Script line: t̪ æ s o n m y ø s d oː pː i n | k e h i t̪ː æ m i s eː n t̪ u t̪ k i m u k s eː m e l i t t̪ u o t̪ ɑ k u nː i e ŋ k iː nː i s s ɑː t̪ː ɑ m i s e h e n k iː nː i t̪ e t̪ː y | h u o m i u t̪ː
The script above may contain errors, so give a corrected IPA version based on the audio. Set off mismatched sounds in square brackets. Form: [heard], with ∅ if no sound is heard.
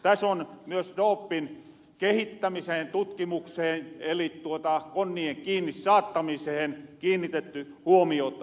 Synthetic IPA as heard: t̪ æ s o n m y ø s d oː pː i n | k e h i t̪ː æ m i s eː n t̪ u t̪ k i m u k s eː [n] e l i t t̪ u o t̪ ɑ k [o] nː i e ŋ k iː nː i s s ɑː t̪ː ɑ m i s e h e n k iː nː i t̪ e t̪ː y | h u o m i [o] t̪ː

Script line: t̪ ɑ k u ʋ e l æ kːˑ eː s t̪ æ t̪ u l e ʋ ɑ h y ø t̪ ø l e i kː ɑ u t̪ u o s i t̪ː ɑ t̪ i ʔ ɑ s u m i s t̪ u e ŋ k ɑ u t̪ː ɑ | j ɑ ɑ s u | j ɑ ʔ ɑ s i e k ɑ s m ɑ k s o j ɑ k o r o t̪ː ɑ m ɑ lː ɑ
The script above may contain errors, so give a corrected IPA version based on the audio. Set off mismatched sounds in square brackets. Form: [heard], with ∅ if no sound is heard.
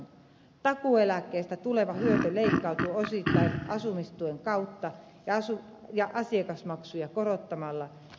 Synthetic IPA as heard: t̪ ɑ k u [∅] e l æ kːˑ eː s t̪ æ t̪ u l e ʋ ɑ h y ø t̪ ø l e i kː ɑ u t̪ u o s i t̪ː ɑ [∅] i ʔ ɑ s u m i s t̪ u e ŋ k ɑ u t̪ː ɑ | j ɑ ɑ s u | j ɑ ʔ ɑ s i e k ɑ s m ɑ k s [u] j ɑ k o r o t̪ː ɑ m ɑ lː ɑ

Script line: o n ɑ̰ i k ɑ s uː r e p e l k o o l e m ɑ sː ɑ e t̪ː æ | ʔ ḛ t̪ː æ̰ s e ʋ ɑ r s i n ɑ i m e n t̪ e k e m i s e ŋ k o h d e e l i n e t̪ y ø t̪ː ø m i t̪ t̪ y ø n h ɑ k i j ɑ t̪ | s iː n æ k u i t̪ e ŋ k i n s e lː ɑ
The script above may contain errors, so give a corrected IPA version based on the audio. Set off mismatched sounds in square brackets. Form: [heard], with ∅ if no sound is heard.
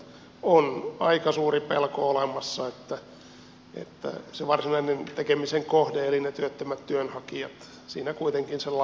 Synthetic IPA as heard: o n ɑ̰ i k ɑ s uː r [i] p e l k o o l e m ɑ sː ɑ e t̪ː æ | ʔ ḛ t̪ː æ̰ s e ʋ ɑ r s i n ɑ i [n] e n t̪ e k e m i s e ŋ k o h d e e l i n e t̪ y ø t̪ː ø m [æ] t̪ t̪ y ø n h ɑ k i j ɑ t̪ | s iː n æ k u i t̪ e ŋ k i n s e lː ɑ

